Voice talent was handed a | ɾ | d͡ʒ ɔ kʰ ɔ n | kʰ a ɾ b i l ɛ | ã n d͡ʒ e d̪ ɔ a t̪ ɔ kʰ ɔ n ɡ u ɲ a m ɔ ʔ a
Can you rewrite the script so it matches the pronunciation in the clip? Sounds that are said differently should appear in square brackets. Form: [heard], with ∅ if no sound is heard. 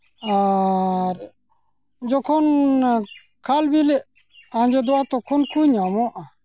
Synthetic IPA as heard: a | ɾ | d͡ʒ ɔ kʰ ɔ n | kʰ a [l] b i l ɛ | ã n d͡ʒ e d̪ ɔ a t̪ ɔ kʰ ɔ n [k] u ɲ a m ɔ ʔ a